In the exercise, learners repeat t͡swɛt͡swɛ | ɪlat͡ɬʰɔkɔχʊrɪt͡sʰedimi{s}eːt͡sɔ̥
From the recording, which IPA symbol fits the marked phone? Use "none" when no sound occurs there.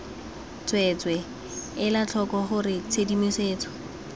s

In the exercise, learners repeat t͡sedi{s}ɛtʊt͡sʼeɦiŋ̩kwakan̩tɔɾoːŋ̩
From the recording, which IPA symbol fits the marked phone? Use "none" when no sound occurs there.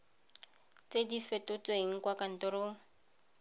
f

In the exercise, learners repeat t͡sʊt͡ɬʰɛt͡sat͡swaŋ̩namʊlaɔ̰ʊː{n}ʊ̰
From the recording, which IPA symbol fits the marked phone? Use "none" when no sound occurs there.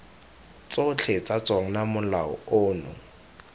n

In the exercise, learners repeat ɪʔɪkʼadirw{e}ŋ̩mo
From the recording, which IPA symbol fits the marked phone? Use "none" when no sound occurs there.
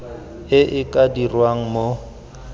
a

